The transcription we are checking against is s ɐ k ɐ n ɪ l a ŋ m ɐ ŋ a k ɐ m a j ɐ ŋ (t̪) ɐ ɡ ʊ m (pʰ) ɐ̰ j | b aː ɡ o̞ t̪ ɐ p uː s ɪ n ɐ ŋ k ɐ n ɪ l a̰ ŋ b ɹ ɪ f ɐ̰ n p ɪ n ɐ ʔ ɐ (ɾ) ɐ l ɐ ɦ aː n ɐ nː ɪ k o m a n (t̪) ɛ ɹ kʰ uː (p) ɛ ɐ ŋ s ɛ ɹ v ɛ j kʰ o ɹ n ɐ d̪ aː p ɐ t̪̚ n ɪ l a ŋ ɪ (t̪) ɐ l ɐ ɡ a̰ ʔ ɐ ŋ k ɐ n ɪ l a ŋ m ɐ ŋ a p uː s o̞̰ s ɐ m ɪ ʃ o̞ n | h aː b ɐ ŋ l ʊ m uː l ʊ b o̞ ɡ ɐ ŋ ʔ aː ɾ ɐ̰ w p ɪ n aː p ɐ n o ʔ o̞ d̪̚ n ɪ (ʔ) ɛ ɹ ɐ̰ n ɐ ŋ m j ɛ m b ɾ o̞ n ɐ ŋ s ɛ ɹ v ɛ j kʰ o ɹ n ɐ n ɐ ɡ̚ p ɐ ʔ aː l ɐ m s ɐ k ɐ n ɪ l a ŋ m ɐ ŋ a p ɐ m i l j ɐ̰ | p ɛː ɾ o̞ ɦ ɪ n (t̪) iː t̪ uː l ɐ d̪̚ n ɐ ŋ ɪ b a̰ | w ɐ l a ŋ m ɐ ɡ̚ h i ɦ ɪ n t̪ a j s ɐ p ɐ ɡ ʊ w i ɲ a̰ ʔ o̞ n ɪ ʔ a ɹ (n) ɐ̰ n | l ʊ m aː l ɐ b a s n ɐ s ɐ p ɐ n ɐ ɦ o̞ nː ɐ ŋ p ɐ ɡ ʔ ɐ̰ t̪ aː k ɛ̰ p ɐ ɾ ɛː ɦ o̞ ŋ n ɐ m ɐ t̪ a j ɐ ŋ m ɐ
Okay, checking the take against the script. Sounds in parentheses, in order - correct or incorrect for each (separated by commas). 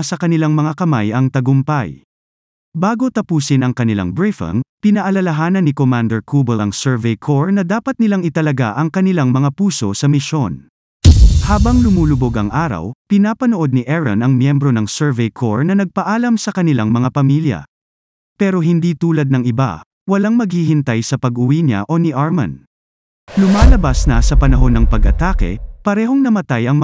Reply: correct, incorrect, incorrect, incorrect, incorrect, correct, correct, incorrect, incorrect